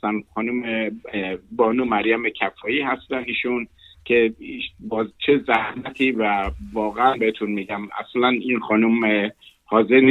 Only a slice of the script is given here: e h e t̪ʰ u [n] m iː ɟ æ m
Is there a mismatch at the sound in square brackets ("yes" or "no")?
no